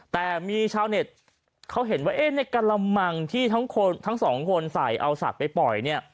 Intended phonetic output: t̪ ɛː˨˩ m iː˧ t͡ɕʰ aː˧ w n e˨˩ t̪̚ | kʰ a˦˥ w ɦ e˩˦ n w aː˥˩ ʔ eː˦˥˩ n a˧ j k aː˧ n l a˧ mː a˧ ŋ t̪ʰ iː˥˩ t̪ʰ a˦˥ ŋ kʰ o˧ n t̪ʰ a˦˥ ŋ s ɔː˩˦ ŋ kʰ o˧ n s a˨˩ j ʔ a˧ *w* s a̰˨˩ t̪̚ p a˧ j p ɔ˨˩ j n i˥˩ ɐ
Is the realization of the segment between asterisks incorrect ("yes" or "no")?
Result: no